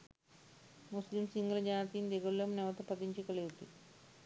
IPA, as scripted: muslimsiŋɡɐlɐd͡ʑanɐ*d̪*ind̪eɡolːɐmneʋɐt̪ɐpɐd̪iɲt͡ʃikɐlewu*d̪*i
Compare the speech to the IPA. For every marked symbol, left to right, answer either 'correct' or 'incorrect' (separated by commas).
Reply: incorrect, incorrect